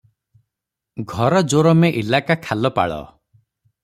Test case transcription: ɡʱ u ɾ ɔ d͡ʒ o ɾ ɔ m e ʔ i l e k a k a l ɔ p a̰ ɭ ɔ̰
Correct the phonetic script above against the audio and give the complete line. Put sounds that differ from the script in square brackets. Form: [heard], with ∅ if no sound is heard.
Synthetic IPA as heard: ɡʱ [ɔ] ɾ ɔ d͡ʒ o ɾ ɔ m e ʔ i l [a] k a [kʰ] a l ɔ p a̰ ɭ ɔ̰